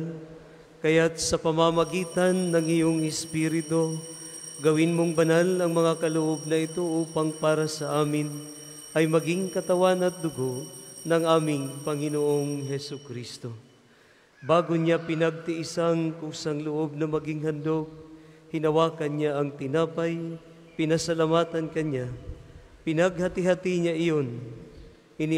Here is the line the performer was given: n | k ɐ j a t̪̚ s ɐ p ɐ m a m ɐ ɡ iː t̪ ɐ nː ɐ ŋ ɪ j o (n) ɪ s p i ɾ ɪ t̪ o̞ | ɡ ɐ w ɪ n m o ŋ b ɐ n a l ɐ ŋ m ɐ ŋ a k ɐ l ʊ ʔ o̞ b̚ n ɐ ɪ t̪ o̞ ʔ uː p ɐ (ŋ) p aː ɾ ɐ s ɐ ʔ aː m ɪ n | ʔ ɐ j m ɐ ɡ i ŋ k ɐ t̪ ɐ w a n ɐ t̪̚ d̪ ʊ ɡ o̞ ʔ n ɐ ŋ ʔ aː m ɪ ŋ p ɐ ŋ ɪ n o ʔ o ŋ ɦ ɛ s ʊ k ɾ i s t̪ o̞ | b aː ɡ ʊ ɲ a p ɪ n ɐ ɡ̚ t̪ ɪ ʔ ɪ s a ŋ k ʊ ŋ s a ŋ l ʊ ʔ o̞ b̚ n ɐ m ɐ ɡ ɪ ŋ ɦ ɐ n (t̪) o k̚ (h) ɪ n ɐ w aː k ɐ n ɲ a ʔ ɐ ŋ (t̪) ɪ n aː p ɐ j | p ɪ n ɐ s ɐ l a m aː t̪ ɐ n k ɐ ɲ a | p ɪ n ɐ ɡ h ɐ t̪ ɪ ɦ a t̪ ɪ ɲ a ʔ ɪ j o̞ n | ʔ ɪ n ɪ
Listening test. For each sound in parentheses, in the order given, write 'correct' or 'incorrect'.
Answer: incorrect: ŋ, correct, incorrect: d̪, correct, correct

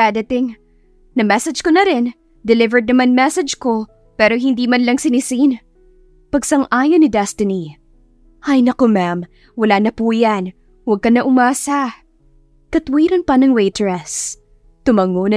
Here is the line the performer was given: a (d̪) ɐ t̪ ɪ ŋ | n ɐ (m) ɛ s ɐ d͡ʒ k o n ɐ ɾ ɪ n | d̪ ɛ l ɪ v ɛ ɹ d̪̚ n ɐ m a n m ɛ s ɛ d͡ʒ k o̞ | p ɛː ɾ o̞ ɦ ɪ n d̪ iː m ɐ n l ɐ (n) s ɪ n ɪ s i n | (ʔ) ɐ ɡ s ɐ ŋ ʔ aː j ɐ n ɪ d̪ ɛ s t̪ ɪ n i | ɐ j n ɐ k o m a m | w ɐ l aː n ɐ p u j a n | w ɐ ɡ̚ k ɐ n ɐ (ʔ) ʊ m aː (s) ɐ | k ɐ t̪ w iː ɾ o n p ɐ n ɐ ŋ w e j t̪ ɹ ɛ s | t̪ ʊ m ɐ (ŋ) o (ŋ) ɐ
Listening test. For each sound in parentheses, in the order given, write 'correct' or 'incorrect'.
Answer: correct, correct, incorrect: ŋ, incorrect: p, correct, correct, correct, incorrect: n

